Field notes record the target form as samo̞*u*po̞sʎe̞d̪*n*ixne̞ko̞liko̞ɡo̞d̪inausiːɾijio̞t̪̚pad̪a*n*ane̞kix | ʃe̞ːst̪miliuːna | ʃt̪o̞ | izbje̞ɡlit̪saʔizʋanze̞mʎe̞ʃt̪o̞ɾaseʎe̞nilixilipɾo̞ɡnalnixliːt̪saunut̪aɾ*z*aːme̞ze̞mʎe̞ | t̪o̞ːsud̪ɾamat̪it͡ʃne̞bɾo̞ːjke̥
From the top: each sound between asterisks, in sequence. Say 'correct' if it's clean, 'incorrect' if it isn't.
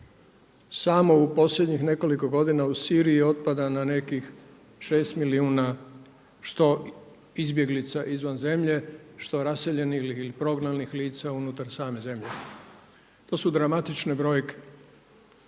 correct, incorrect, correct, incorrect

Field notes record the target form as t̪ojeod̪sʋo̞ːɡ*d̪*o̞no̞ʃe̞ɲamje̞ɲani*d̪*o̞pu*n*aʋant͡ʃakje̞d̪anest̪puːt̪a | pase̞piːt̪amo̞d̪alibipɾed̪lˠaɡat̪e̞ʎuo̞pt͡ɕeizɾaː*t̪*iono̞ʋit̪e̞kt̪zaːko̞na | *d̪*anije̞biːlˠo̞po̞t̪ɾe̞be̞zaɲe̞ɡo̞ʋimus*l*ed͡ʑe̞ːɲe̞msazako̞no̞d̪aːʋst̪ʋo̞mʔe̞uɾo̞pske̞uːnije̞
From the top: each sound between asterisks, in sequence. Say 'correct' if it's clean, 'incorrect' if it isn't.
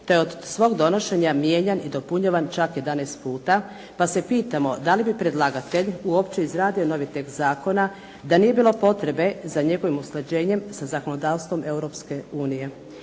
correct, correct, incorrect, incorrect, correct, correct

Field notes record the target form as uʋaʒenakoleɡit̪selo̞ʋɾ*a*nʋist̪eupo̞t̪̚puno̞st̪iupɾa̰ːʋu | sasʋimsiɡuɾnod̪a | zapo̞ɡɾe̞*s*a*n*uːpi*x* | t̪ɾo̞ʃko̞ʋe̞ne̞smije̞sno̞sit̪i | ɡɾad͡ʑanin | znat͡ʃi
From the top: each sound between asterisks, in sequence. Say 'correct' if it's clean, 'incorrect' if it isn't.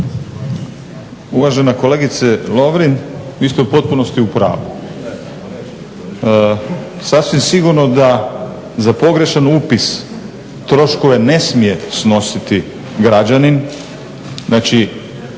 incorrect, incorrect, correct, incorrect

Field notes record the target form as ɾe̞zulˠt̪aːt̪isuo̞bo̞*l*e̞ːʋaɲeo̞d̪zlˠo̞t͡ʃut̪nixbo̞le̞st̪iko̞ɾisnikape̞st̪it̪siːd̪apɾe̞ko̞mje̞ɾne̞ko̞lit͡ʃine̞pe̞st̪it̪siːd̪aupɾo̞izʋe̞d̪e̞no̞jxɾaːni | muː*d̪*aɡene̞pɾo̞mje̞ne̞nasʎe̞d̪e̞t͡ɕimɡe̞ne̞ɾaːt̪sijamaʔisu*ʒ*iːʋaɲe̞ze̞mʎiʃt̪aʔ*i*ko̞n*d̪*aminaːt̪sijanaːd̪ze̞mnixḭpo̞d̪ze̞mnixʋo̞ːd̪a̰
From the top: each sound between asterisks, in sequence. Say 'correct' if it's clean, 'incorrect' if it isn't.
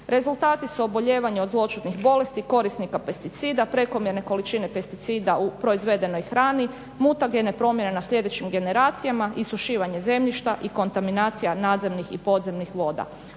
incorrect, incorrect, incorrect, correct, incorrect

